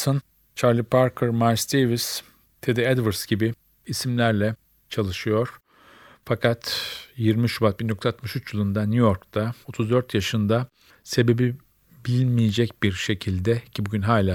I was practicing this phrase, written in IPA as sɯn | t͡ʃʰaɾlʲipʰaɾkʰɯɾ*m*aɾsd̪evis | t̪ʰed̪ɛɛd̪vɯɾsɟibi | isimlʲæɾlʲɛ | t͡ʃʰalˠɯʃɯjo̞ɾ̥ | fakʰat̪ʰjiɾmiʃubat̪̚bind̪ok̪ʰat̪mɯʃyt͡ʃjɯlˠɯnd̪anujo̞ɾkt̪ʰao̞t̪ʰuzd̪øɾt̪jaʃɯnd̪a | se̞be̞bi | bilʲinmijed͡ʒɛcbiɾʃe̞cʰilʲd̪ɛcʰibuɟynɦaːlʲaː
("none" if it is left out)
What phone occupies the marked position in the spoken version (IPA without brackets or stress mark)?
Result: m